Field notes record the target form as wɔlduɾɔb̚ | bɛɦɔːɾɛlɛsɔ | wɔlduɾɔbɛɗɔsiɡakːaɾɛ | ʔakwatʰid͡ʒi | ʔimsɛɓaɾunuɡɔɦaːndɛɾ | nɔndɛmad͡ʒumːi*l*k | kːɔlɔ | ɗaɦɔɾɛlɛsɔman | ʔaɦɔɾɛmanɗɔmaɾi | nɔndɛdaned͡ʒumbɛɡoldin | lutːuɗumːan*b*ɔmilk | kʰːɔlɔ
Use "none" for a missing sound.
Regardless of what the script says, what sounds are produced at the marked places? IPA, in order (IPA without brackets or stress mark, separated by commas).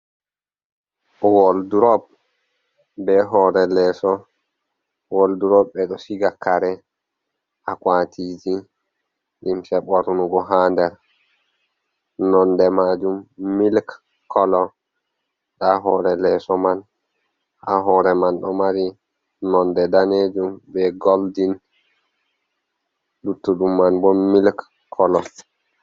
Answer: l, b